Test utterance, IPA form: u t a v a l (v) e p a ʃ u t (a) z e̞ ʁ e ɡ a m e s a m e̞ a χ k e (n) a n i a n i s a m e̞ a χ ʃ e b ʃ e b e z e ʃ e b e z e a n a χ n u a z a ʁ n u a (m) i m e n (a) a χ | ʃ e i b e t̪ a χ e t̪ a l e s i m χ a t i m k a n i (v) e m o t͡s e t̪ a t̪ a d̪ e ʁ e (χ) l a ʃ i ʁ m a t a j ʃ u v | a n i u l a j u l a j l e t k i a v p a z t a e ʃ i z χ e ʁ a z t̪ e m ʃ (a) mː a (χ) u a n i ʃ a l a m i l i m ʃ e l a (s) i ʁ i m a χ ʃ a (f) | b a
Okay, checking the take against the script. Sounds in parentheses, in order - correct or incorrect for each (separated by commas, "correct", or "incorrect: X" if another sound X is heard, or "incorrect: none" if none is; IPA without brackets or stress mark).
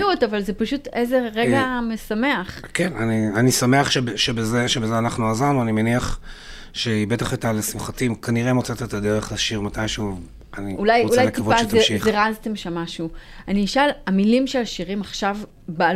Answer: incorrect: z, incorrect: e, correct, incorrect: n, incorrect: i, incorrect: ʁ, correct, correct, incorrect: ʃ, incorrect: ʃ, incorrect: v